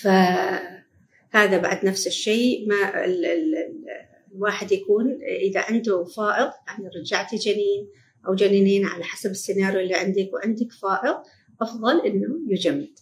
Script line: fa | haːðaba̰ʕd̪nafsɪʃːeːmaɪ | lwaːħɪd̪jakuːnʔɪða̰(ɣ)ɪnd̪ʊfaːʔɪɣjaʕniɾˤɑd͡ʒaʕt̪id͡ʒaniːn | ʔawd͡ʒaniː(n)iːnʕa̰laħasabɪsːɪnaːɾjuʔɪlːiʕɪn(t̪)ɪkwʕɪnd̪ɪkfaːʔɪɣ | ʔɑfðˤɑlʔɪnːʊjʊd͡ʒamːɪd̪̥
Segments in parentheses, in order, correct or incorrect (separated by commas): incorrect, correct, incorrect